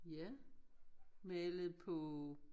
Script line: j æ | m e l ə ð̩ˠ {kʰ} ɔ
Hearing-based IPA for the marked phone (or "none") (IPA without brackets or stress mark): pʰ